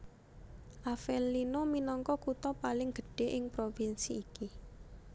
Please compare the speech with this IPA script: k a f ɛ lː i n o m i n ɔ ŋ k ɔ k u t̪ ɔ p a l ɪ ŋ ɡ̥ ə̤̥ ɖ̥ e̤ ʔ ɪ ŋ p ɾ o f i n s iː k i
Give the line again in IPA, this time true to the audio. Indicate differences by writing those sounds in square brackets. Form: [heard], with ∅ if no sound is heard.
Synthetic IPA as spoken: [ʔ] a f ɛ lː i n o m i n ɔ ŋ k ɔ k u t̪ ɔ p a l ɪ ŋ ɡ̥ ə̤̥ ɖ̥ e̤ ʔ ɪ ŋ p ɾ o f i n s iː k i